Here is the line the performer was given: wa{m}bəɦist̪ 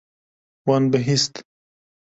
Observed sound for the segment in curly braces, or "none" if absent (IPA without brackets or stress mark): n